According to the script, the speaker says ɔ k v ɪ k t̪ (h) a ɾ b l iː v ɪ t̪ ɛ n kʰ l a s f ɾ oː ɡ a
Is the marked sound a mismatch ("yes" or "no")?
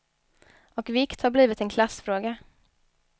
no